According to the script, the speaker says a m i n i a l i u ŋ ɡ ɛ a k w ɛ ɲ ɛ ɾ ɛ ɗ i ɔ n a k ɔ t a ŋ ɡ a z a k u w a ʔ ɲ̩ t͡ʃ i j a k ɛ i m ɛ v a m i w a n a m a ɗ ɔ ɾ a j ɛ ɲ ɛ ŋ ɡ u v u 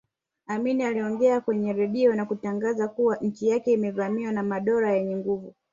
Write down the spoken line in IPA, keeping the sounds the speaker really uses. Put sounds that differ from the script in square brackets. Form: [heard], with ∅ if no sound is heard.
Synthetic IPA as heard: a m i n i a l i [ɔ] ŋ ɡ ɛ a k w ɛ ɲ ɛ ɾ ɛ ɗ i ɔ n a k [u] t a ŋ ɡ a z a k u w a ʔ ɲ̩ t͡ʃ i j a k ɛ i m ɛ v a m i w a n a m a ɗ ɔ ɾ a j ɛ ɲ ɛ ŋ ɡ u v u